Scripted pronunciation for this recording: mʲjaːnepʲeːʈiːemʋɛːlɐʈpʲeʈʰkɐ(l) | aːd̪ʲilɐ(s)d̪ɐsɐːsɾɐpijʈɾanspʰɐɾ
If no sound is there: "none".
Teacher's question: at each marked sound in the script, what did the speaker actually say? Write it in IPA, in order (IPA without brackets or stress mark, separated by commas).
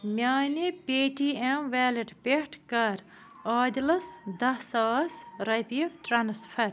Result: ɾ, s